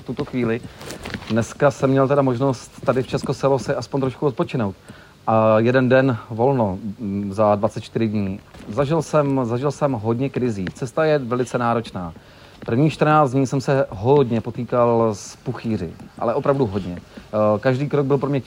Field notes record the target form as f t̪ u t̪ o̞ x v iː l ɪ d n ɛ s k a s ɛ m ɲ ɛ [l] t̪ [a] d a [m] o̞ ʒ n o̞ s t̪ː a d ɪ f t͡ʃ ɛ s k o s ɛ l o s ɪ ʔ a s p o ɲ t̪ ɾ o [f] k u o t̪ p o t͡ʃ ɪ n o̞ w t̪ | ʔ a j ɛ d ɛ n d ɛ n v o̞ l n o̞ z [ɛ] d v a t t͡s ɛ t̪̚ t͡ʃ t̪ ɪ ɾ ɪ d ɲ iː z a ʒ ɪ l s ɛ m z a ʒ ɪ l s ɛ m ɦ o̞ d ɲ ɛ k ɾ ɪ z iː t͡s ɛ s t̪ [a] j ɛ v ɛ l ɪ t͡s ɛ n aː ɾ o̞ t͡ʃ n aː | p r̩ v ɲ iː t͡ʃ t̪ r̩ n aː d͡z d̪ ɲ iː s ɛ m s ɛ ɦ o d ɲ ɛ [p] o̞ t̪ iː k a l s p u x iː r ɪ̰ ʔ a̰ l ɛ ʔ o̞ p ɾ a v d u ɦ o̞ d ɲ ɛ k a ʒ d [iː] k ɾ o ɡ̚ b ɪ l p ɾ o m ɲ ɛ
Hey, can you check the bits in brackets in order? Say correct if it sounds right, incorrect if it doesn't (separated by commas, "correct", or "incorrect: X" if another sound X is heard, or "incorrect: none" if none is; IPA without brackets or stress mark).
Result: correct, incorrect: ɛ, correct, incorrect: ʃ, incorrect: a, correct, correct, correct